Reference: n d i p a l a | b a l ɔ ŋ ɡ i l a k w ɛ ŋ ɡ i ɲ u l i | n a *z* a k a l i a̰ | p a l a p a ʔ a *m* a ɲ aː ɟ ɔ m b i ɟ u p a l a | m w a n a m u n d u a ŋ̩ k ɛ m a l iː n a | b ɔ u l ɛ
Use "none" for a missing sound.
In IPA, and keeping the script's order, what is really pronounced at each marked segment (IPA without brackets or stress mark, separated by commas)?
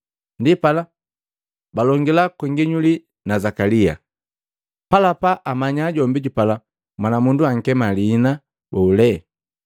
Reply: z, m